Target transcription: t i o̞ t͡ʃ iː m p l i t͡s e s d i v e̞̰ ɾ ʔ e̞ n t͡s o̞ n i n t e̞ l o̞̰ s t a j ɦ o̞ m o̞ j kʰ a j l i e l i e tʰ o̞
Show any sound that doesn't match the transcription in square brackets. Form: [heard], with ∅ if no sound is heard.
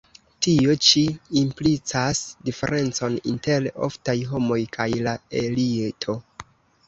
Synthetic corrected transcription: t i o̞ t͡ʃ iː m p l i t͡s [a] s d i [f] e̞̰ ɾ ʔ e̞ n t͡s o̞ n i n t e̞ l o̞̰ [f] t a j ɦ o̞ m o̞ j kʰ a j l [a] e l i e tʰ o̞